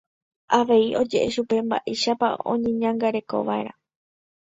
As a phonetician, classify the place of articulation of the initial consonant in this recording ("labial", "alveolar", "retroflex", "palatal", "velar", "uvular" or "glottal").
labial